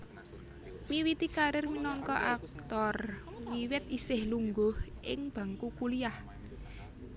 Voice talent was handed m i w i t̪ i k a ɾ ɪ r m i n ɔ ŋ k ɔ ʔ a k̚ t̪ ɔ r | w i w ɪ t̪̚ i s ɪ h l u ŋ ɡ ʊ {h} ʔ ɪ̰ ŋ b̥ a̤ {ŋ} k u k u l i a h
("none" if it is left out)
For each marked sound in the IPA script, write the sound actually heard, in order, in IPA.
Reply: h, ŋ

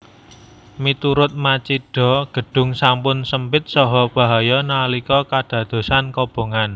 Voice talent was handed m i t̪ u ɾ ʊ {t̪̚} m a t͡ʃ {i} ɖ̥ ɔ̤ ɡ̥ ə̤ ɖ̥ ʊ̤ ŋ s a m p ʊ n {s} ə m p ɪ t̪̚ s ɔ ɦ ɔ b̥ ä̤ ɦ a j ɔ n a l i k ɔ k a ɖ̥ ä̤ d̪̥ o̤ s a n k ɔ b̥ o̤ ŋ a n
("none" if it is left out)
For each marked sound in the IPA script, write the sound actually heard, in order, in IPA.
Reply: t̪̚, i, s

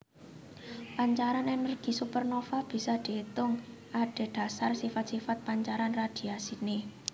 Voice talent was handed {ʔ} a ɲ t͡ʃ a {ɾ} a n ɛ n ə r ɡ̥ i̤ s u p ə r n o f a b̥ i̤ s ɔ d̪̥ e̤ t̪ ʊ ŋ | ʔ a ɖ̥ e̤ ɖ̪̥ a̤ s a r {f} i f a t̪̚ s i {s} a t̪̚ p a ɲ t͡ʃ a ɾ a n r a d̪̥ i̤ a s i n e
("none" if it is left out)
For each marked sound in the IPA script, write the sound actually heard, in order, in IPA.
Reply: p, ɾ, s, f

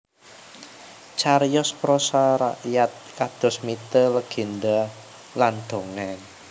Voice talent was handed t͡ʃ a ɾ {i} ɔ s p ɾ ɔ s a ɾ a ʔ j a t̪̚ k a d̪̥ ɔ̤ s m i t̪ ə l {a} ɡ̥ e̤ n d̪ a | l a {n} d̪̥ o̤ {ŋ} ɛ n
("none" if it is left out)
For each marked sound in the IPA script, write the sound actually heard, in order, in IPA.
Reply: j, ə, n, ŋ

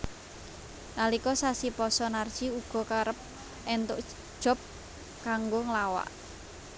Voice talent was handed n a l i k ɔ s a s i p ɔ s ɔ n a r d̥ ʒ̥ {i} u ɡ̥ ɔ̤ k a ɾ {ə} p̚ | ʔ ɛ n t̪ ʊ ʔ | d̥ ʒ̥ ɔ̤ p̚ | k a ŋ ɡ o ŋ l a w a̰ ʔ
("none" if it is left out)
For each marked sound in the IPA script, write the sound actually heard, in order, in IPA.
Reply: i, ə

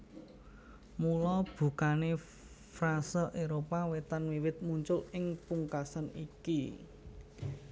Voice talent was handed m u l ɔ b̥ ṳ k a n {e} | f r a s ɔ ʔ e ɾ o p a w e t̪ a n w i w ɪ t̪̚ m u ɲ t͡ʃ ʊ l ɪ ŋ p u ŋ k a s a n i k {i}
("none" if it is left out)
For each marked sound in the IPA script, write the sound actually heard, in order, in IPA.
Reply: e, i

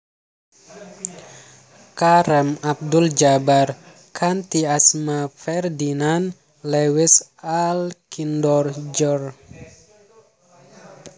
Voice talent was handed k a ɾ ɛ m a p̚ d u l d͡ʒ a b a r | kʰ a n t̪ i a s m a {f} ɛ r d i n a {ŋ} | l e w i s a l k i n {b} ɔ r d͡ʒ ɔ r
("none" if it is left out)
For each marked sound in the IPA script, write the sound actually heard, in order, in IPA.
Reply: f, n, d

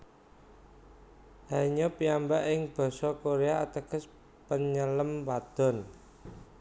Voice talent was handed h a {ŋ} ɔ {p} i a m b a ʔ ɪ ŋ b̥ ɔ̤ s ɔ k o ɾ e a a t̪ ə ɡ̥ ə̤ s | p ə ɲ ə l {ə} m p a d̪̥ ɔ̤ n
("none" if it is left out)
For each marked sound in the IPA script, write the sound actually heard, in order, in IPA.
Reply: ɲ, p, ə

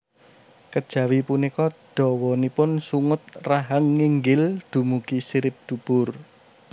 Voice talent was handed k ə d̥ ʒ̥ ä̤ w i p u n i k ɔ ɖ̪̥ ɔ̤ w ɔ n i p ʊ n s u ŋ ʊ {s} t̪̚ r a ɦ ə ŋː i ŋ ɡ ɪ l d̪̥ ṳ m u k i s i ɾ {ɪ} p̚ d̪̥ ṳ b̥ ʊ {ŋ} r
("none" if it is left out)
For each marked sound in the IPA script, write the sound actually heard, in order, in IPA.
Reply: none, ɪ, none

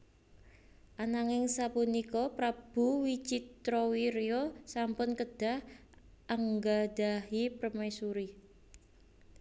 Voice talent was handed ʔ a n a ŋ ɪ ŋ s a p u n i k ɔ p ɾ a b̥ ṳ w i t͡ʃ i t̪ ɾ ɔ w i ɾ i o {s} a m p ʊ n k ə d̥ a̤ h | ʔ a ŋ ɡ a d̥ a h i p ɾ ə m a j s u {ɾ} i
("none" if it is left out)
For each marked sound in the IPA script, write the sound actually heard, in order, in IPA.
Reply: s, ɾ

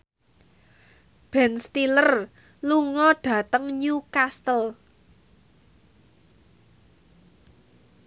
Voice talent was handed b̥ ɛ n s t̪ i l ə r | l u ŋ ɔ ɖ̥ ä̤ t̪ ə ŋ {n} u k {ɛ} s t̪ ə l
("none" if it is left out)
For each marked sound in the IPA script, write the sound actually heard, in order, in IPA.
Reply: ɲ, a

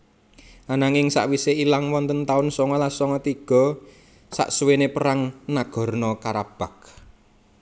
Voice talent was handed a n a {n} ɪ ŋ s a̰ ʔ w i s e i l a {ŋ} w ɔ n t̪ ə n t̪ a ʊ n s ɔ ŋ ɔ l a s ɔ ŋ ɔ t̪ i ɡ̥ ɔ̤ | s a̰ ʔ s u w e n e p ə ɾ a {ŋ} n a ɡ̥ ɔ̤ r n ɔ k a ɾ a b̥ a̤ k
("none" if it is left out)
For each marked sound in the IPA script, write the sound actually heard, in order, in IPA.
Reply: ŋ, ŋ, ŋ

